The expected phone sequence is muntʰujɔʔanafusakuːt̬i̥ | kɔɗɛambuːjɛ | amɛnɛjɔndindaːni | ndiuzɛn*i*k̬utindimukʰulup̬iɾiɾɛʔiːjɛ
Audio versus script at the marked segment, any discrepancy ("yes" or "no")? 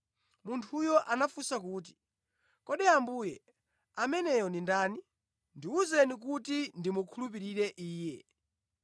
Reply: no